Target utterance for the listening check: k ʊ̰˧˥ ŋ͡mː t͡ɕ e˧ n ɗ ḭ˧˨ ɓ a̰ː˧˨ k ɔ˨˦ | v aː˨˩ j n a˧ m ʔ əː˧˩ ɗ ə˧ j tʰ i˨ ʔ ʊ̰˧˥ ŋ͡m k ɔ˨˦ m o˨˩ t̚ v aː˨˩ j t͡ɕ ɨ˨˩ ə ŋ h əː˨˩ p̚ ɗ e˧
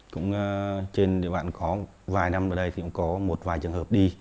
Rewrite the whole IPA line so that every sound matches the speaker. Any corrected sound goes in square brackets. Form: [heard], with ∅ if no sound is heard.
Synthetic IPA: k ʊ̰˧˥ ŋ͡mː t͡ɕ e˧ n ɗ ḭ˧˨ ɓ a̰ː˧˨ k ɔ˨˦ | v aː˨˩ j n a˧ m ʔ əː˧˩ ɗ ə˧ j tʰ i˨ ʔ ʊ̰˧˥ ŋ͡m k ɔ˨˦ m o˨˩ t̚ v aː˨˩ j t͡ɕ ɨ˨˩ ə ŋ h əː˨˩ p̚ ɗ [i˧]